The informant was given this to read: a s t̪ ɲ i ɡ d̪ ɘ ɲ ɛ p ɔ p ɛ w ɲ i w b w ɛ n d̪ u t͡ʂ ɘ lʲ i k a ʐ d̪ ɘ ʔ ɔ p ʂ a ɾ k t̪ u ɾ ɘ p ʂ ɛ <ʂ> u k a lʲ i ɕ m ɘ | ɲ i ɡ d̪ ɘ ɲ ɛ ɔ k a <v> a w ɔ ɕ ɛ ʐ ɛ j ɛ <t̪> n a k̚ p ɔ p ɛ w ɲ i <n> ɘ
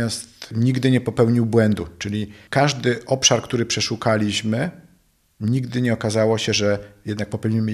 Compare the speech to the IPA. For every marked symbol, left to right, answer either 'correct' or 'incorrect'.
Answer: correct, incorrect: z, incorrect: d̪, incorrect: m

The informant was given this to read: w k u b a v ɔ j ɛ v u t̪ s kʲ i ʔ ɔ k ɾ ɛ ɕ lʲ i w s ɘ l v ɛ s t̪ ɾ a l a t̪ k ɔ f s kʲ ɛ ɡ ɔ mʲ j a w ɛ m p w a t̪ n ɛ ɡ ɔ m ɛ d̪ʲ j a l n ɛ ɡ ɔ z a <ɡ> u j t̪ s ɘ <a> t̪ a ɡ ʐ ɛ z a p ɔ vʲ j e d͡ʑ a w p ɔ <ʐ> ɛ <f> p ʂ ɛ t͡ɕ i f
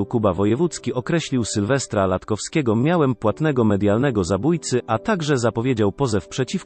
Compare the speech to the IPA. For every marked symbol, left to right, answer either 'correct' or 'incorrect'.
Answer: incorrect: b, correct, incorrect: z, correct

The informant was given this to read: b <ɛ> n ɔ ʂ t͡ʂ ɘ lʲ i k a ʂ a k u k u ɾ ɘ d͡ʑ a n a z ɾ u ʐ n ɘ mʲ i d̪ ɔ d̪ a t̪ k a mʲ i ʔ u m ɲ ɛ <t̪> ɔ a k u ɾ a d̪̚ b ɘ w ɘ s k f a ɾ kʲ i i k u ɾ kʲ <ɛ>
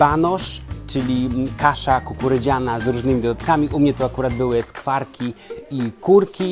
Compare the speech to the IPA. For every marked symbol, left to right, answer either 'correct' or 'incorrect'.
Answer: incorrect: a, correct, incorrect: i

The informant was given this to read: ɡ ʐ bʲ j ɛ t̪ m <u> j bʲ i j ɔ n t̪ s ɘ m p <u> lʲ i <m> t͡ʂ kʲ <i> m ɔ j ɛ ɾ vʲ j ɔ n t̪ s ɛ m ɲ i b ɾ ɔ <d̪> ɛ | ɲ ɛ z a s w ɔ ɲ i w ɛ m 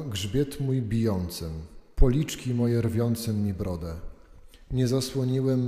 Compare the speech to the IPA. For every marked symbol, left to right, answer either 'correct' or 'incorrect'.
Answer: correct, incorrect: ɔ, incorrect: none, correct, correct

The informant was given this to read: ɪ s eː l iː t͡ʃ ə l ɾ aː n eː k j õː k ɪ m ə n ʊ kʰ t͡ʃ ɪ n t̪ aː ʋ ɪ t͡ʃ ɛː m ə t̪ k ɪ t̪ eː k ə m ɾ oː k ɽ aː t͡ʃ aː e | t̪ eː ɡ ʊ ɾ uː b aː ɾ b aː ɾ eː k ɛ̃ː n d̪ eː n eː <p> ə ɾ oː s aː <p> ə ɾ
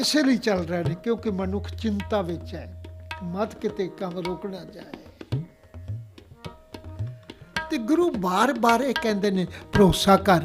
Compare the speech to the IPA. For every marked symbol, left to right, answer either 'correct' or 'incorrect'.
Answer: correct, incorrect: k

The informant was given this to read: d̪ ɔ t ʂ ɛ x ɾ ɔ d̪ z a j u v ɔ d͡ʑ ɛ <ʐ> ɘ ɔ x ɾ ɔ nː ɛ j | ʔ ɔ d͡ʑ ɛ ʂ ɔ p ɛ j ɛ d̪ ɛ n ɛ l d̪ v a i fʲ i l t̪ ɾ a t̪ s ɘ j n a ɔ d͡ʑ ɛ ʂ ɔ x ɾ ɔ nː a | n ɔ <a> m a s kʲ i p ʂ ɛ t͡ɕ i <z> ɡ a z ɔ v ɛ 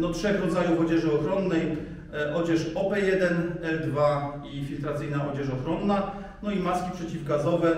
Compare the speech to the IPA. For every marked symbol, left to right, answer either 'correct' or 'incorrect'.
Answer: correct, incorrect: i, incorrect: v

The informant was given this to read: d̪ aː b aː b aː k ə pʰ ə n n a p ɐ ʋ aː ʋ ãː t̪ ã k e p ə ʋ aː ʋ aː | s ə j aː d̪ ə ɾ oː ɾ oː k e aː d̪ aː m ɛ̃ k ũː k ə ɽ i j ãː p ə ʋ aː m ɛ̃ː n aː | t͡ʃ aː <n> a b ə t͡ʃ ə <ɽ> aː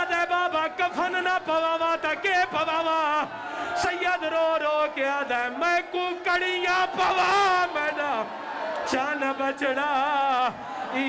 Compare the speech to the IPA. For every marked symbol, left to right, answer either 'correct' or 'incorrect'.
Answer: correct, correct

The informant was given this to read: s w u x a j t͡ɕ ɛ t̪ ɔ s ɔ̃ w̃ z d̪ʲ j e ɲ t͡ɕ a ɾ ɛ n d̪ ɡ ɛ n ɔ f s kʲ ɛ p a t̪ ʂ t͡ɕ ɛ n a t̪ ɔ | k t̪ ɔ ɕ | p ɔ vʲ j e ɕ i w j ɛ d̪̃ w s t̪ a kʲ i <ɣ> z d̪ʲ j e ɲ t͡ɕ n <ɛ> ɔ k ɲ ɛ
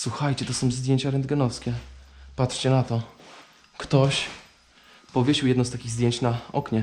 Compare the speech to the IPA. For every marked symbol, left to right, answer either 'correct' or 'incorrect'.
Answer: correct, incorrect: a

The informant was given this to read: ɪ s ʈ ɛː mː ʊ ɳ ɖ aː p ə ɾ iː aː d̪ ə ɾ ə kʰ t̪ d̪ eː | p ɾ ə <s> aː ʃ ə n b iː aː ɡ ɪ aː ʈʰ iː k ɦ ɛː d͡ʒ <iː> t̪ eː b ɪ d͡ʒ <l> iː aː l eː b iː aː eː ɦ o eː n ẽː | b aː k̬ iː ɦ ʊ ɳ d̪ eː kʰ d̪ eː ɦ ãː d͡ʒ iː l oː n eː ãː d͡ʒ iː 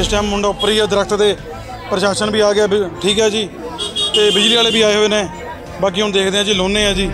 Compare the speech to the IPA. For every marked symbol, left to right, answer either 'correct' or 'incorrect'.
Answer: incorrect: ʃ, correct, correct

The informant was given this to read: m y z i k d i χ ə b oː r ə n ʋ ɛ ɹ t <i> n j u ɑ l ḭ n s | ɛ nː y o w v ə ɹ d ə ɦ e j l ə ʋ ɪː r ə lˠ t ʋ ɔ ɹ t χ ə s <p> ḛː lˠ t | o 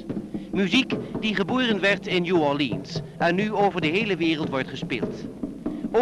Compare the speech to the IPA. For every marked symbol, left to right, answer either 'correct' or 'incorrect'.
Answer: incorrect: ɪ, correct

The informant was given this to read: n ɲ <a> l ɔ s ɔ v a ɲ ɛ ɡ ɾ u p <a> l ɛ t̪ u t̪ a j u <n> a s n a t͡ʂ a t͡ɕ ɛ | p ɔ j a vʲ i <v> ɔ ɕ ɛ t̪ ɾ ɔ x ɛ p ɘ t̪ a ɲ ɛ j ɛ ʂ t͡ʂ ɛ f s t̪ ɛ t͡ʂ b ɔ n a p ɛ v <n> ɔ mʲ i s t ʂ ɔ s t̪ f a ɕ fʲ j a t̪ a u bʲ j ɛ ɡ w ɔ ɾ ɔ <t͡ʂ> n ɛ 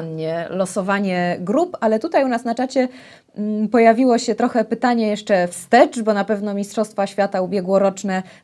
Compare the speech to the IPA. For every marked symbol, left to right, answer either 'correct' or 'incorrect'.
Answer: incorrect: ɛ, correct, correct, incorrect: w, correct, correct

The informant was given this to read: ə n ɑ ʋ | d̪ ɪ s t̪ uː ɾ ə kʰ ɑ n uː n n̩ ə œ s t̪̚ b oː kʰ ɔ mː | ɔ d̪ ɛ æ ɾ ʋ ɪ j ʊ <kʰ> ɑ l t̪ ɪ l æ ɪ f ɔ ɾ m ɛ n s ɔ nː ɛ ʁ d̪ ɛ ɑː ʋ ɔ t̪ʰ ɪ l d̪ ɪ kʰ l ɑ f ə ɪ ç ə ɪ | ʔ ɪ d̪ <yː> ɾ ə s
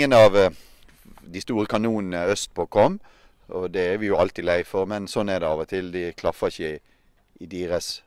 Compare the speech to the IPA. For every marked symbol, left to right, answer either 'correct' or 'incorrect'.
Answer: incorrect: none, incorrect: iː

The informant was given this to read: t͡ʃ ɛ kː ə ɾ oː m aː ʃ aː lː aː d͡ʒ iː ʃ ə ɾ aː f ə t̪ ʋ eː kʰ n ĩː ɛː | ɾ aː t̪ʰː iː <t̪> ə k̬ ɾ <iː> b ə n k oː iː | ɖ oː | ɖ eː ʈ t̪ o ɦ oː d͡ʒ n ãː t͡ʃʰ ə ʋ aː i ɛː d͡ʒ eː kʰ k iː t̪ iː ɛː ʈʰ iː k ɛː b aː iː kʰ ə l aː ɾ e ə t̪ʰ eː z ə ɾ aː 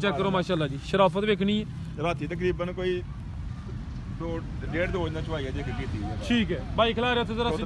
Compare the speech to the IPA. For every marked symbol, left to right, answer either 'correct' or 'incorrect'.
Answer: correct, correct

